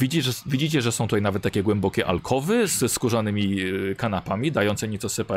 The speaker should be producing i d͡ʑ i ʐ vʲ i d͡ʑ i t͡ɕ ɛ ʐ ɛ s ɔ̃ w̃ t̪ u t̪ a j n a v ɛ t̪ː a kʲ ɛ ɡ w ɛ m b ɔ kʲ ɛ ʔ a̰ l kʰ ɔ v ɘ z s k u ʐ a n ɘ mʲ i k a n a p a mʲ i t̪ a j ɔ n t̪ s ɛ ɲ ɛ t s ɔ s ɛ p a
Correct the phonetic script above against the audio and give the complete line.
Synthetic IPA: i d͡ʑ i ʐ vʲ i d͡ʑ i t͡ɕ ɛ ʐ ɛ s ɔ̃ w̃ t̪ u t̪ a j n a v ɛ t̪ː a kʲ ɛ ɡ w ɛ m b ɔ kʲ ɛ ʔ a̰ l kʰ ɔ v ɘ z s k u ʐ a n ɘ mʲ i k a n a p a mʲ i d̪ a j ɔ n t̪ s ɛ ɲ ɛ t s ɔ s ɛ p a